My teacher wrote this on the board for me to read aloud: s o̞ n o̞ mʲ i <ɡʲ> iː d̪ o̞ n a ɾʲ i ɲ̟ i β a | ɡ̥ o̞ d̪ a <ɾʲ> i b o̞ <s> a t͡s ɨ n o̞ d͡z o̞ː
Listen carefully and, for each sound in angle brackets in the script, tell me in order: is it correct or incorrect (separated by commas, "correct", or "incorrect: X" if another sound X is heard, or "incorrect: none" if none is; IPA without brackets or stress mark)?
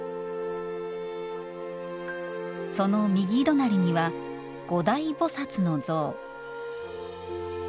correct, incorrect: none, correct